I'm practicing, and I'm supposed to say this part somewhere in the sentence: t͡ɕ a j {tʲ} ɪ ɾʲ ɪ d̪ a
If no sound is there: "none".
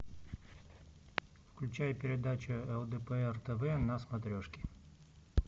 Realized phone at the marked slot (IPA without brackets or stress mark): pʲ